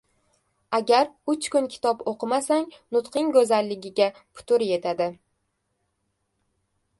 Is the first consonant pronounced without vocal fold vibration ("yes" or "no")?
no